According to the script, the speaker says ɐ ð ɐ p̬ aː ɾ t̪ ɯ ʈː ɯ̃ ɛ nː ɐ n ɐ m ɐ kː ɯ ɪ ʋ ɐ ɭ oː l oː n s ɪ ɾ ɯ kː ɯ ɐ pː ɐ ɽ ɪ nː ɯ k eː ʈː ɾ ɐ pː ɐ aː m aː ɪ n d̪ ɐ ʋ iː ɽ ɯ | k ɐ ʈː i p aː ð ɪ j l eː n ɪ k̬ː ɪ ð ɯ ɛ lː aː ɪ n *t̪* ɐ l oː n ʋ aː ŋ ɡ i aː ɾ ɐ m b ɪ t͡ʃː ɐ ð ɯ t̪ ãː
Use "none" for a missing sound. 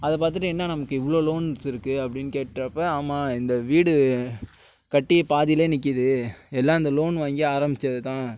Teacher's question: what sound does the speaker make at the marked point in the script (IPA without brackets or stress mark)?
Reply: d̪